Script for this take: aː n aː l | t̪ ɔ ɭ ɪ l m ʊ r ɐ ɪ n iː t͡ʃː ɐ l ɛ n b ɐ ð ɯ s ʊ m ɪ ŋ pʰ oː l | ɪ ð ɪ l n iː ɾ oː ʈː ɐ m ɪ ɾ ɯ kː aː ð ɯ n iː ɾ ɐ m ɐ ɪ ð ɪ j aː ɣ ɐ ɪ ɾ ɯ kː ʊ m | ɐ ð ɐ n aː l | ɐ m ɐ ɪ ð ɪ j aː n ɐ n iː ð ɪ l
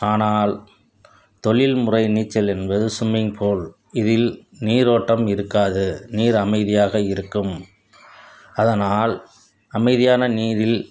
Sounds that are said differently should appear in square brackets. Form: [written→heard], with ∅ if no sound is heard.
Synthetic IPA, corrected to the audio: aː n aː l | t̪ ɔ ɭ ɪ l m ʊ r ɐ ɪ n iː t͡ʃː ɐ l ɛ n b ɐ ð ɯ s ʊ m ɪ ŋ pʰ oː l | ɪ ð ɪ l n iː ɾ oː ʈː ɐ m ɪ ɾ ɯ kː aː ð ɯ n iː ɾ ɐ m ɐ ɪ ð ɪ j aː ɣ ɐ ɪ ɾ ɯ kː [ʊ→ɯ] m | ɐ ð ɐ n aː l | ɐ m ɐ ɪ ð ɪ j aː n ɐ n iː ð ɪ l